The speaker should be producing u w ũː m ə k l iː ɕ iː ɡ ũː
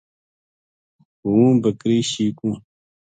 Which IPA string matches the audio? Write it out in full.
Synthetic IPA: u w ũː b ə k ɾ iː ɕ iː k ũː